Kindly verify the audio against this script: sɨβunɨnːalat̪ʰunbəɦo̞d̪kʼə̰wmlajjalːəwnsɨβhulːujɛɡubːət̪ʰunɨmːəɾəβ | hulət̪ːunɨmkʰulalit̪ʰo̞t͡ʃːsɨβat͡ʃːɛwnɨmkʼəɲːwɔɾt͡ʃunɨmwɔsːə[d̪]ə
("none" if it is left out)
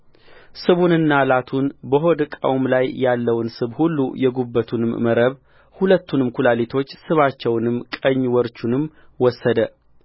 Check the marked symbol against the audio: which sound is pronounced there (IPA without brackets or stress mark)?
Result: d̪